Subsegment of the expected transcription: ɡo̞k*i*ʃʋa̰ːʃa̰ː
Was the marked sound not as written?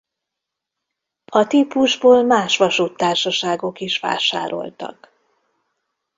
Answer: no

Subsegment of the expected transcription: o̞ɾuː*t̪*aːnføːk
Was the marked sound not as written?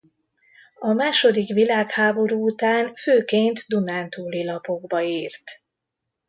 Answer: no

